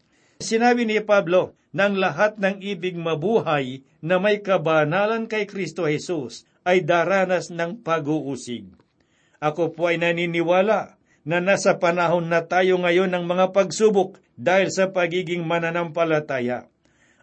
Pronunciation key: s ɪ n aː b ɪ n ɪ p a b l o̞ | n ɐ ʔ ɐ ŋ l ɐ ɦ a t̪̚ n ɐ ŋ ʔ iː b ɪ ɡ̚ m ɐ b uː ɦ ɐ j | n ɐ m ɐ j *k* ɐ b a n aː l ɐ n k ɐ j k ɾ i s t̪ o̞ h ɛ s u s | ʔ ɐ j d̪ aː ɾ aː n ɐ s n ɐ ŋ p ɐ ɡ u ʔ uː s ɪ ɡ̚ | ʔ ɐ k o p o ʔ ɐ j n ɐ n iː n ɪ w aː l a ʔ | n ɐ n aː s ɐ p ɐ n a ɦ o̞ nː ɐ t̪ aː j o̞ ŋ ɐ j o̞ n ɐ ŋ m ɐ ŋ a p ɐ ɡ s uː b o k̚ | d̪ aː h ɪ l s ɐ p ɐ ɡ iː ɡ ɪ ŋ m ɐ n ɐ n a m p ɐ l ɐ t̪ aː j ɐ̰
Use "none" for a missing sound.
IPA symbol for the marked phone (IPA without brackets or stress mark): k